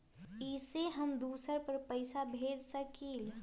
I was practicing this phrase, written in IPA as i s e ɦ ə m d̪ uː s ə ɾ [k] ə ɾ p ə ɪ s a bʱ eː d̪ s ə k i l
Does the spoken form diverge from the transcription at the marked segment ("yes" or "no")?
yes